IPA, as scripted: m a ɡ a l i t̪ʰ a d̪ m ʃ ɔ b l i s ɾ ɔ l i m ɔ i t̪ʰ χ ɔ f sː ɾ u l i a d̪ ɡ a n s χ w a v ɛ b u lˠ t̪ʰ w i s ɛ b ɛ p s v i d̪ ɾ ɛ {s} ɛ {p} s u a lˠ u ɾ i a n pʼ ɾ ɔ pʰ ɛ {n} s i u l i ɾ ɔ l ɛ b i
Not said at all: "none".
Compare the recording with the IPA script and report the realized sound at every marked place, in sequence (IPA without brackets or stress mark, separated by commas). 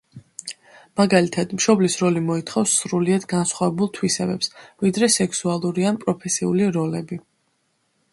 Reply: s, k, none